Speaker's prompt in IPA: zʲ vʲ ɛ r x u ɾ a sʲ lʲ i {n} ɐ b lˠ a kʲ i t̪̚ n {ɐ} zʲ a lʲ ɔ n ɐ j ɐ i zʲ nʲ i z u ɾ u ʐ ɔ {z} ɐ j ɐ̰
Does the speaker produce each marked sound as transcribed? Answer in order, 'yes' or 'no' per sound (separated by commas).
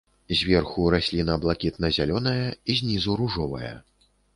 yes, yes, no